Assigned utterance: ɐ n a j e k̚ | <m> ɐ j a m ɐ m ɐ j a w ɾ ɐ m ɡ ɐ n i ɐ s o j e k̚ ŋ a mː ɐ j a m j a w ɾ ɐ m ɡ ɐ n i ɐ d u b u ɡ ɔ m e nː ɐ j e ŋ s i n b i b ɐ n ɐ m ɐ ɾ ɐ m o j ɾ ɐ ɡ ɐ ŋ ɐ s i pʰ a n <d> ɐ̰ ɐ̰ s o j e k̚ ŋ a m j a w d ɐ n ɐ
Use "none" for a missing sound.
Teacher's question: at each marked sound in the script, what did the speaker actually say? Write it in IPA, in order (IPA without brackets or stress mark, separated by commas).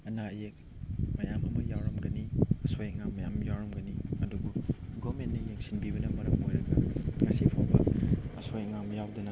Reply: m, b